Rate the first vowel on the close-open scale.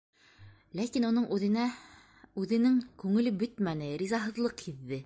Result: open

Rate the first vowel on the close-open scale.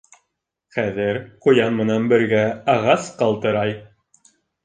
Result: open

